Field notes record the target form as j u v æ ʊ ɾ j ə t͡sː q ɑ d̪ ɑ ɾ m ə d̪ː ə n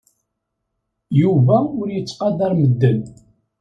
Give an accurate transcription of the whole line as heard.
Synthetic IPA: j u v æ ʊ ɾ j ə t͡sː q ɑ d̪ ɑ ɾ m ə d̪ː ə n